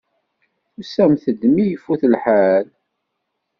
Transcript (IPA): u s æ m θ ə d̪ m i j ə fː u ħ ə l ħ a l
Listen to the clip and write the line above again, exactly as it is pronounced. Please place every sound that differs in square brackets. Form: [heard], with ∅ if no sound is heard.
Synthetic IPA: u s æ m θ ə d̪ m i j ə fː u [θ] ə l ħ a l